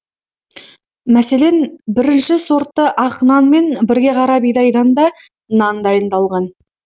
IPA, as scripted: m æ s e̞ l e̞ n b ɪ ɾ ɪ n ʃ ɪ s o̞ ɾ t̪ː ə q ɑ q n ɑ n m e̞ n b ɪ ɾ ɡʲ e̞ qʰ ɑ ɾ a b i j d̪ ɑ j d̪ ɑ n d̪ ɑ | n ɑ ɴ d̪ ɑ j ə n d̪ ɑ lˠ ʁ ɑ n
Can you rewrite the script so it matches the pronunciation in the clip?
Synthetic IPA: m æ s e̞ l e̞ n b ɪ ɾ ɪ n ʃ ɪ s o̞ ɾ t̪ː ə ʔ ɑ q n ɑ n m e̞ n b ɪ ɾ ɡʲ e̞ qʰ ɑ ɾ ɑ b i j d̪ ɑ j d̪ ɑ n d̪ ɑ | n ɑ n d̪ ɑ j ə n d̪ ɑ lˠ ʁ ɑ n